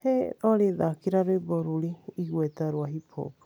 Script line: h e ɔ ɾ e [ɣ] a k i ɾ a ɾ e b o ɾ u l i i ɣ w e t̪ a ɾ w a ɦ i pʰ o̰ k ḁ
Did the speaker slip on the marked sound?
yes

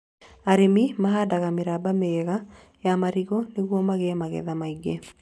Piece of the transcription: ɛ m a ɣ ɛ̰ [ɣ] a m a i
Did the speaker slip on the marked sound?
yes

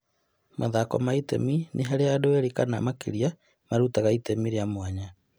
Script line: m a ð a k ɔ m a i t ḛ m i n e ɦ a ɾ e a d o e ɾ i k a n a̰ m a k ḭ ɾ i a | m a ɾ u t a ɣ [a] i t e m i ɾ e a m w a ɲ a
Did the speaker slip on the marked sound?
no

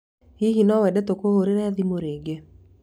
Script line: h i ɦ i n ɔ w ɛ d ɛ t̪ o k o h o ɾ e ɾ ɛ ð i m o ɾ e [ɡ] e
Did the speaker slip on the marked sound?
no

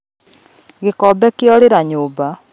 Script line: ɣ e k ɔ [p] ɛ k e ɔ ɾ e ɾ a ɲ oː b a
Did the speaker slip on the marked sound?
yes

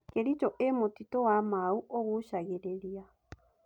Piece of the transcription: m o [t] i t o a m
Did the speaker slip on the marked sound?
no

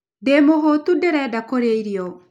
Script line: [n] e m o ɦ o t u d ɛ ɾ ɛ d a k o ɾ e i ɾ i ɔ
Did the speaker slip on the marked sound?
yes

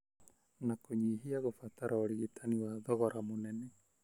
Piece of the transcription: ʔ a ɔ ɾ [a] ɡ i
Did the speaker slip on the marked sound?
yes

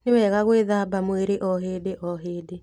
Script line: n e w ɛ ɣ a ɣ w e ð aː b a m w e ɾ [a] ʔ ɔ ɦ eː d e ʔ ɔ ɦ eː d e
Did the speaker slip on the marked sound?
yes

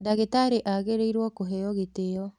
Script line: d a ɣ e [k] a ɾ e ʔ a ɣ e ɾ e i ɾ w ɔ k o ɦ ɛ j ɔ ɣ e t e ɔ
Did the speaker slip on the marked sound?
yes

